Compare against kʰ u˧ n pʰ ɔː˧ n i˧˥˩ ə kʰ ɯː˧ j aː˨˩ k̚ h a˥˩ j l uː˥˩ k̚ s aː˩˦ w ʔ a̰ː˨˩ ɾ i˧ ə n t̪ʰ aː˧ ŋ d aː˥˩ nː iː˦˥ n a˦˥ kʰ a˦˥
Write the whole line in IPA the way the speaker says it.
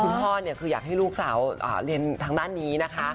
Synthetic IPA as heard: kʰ u˧ n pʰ ɔː˥˩ n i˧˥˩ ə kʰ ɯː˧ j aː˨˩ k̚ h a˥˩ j l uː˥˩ k̚ s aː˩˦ w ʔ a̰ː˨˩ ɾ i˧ ə n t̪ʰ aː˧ ŋ d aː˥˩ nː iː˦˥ n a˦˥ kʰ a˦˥